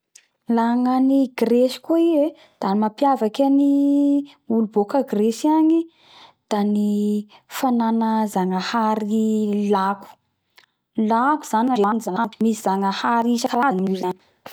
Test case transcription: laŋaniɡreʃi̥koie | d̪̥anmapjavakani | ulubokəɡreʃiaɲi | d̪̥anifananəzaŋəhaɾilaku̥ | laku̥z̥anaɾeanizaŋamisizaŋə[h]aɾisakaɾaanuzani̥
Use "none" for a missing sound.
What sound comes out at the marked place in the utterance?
h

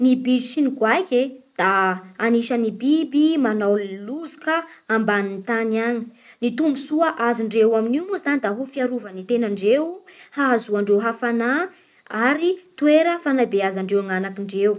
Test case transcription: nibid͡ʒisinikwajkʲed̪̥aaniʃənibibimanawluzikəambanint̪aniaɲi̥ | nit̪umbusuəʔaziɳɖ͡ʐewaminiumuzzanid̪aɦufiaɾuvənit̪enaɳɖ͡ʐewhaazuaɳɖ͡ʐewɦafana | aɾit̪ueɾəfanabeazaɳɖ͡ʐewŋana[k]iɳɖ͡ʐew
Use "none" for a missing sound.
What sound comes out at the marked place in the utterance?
k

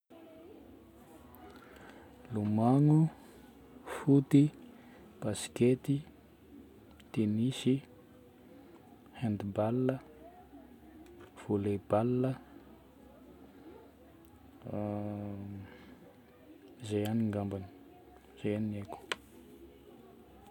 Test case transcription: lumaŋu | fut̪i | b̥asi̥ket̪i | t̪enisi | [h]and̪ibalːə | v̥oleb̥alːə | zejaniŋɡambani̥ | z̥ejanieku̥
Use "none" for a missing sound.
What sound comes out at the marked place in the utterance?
h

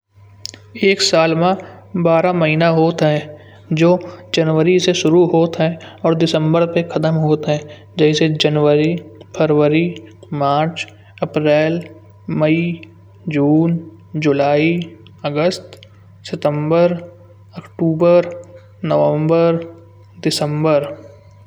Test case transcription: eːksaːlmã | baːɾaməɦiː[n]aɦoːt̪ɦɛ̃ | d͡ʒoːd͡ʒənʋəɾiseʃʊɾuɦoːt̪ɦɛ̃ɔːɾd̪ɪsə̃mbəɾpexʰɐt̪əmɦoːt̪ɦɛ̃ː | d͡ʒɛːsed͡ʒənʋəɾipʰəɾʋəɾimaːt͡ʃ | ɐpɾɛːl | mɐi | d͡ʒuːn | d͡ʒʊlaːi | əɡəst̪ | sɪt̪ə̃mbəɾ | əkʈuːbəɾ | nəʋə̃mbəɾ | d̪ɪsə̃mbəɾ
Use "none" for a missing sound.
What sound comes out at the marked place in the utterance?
n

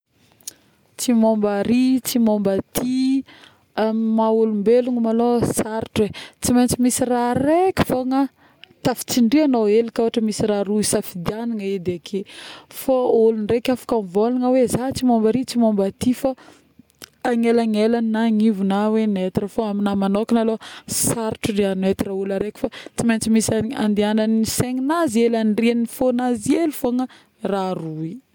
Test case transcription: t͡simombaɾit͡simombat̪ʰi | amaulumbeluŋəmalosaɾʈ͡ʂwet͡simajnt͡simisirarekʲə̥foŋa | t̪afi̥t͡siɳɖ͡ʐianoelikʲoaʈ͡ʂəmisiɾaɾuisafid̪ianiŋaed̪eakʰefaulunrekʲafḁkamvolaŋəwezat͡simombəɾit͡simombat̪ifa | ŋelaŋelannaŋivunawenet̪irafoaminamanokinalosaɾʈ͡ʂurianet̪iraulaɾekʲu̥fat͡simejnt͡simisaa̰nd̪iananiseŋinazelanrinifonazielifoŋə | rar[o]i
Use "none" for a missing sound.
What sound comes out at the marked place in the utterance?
u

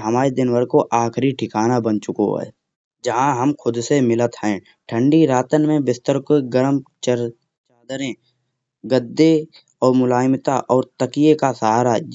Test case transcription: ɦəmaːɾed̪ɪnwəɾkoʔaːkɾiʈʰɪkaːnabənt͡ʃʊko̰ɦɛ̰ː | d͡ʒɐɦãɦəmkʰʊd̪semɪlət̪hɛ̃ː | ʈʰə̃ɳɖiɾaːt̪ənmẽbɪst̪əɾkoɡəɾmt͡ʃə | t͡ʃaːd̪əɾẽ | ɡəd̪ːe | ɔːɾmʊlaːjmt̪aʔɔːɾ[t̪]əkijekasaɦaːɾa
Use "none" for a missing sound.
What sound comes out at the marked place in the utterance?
t̪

